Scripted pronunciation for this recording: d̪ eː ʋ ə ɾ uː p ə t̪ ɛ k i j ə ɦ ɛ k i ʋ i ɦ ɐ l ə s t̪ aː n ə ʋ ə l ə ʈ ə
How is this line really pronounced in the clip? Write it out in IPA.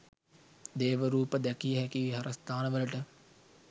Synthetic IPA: d̪ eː ʋ ə ɾ uː p ə d̪ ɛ k i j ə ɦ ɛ k i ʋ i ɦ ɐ ɾ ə s t̪ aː n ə ʋ ə l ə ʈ ə